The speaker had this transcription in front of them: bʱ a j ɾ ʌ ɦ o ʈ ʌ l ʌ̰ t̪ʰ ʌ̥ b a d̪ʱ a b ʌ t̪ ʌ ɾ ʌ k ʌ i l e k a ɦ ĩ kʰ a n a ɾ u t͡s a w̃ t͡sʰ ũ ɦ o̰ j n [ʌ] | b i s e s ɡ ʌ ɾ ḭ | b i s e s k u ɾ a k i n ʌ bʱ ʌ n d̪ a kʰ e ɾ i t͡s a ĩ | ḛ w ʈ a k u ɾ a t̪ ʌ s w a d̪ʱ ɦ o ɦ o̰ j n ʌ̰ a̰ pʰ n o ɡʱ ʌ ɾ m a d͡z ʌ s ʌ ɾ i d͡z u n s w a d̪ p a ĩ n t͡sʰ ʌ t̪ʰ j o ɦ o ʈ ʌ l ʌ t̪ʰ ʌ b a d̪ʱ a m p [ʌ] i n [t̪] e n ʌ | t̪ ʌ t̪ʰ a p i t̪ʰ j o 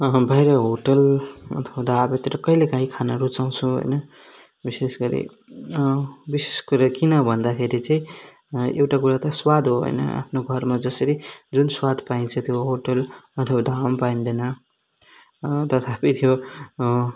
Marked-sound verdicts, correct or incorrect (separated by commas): correct, incorrect, incorrect